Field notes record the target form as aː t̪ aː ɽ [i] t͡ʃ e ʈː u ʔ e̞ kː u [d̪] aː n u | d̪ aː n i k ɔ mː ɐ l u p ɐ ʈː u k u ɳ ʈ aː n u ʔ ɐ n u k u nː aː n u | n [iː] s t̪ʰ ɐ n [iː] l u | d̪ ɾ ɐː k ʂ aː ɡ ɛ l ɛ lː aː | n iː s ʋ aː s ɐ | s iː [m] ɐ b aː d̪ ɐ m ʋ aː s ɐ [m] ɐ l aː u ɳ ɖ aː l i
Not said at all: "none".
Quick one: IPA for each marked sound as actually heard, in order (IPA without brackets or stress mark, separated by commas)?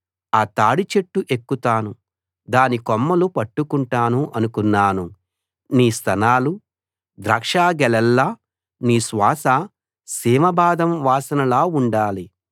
i, t̪, iː, aː, m, n